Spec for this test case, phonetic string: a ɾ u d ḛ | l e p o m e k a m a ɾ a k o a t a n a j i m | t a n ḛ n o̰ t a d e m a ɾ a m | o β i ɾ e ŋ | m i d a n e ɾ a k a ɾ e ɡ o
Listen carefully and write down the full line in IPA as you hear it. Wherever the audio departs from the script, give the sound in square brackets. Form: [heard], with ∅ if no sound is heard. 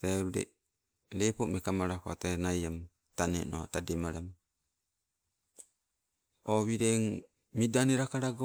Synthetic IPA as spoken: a ɾ u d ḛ | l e p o m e k a m a ɾ a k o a t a n a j [a] m | t a n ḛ n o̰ t a d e m a ɾ a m | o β i ɾ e ŋ | m i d a n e ɾ a k a ɾ [a] ɡ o